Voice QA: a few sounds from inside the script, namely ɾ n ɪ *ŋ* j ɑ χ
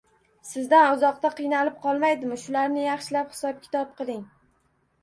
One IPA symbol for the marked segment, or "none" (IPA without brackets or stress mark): none